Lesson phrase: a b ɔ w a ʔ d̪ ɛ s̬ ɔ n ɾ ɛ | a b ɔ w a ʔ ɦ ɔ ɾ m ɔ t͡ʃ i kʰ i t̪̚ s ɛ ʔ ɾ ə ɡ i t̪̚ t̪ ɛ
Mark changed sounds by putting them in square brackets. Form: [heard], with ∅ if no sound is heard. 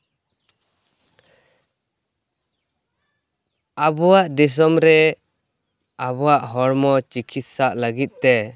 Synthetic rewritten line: a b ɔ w a ʔ d̪ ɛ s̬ ɔ [m] ɾ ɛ | a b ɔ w a ʔ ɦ ɔ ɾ m ɔ t͡ʃ i kʰ i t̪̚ s [a] ʔ [l] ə ɡ i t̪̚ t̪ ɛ